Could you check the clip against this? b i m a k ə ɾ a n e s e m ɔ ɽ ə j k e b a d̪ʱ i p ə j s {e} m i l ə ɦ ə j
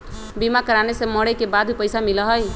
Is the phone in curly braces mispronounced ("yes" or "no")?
yes